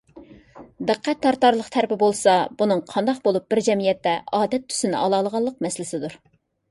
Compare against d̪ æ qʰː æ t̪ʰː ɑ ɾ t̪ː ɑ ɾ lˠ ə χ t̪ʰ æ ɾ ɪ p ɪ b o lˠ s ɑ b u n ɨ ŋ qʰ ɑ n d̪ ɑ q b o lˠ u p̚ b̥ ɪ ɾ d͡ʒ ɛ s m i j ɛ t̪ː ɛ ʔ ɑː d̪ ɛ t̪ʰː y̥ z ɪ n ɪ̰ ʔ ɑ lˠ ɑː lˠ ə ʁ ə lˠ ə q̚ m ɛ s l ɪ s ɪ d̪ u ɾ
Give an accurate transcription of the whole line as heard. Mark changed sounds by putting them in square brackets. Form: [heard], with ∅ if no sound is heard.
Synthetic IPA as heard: d̪ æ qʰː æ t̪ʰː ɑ ɾ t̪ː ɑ ɾ lˠ ə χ t̪ʰ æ ɾ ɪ p ɪ b o lˠ s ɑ b u n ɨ ŋ qʰ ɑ n d̪ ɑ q b o lˠ u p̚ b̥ ɪ ɾ d͡ʒ ɛ [∅] m i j ɛ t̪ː ɛ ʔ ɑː d̪ ɛ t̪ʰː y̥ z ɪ n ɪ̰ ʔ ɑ lˠ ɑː lˠ ə ʁ [ɑ] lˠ ə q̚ m ɛ s l ɪ s ɪ d̪ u ɾ